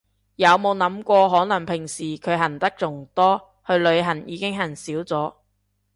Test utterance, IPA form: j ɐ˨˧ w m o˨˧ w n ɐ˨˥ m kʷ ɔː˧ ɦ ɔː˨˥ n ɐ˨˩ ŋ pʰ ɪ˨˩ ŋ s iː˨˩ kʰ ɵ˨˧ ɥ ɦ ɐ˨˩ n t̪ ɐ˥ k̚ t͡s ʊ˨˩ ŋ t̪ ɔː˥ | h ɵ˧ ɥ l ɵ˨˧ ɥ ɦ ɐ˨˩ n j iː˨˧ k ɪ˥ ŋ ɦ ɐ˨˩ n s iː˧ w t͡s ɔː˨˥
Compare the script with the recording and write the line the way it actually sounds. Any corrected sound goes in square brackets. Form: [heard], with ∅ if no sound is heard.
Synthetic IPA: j ɐ˨˧ w m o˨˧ w n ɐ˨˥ m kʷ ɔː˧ ɦ ɔː˨˥ n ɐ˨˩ ŋ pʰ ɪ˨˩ ŋ s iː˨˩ kʰ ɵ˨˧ ɥ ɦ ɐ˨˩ n t̪ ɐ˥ k̚ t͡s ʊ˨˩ ŋ t̪ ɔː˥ | h ɵ˧ ɥ l ɵ˨˧ ɥ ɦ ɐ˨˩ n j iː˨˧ k ɪ˥ ŋ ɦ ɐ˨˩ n s [iː˨˥] w t͡s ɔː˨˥